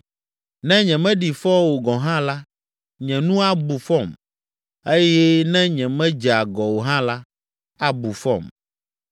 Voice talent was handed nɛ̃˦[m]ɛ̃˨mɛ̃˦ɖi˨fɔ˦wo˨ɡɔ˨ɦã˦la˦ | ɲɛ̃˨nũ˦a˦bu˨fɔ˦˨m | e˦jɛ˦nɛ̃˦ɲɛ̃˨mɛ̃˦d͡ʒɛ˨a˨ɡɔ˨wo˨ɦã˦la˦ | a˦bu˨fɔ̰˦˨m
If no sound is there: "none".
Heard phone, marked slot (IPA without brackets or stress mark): ɲ